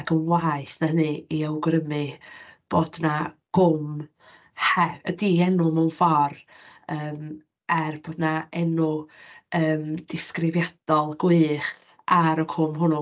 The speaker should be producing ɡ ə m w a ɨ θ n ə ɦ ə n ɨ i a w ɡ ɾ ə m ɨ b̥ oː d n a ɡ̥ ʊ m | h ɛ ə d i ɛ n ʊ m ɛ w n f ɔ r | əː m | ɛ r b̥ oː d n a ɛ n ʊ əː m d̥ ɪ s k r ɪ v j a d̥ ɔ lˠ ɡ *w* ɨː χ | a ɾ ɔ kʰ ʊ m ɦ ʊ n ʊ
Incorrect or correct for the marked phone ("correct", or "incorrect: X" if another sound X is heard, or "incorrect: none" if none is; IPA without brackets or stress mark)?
correct